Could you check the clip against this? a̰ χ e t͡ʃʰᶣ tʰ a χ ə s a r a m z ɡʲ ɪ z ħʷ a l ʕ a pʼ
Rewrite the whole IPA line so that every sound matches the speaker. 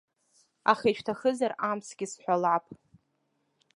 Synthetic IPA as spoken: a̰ χ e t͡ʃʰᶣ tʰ a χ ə z a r a m s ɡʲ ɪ s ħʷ a l ʕ a pʼ